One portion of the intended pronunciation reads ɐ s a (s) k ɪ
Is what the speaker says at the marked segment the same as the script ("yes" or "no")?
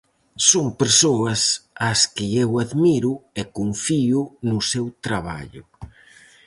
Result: yes